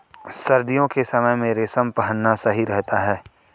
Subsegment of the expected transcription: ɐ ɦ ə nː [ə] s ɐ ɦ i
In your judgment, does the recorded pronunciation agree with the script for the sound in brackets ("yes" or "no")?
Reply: no